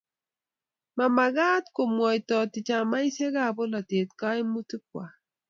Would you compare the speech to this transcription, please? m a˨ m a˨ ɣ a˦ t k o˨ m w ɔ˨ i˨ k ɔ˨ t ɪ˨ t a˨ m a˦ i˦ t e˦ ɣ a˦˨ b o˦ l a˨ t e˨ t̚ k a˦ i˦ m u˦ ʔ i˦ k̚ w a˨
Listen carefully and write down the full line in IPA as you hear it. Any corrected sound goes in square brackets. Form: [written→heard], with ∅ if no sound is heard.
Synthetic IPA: m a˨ m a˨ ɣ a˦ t k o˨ m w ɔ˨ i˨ [k→t] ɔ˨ t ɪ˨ [t→t͡ʃ] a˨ m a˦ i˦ [t→s] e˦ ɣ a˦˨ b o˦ l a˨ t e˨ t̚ k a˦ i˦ m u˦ [ʔ→t] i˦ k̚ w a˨